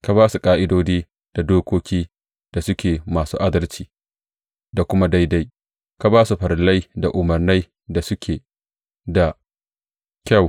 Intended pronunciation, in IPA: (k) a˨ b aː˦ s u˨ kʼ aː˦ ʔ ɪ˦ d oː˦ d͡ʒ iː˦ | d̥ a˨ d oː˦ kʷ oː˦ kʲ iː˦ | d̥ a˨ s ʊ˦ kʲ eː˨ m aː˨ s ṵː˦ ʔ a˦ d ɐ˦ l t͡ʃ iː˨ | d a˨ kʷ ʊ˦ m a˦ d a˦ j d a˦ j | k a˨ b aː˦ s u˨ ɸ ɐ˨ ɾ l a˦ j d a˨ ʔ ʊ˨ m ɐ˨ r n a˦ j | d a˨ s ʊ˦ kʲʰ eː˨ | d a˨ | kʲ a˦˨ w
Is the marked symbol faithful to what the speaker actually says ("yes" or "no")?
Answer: yes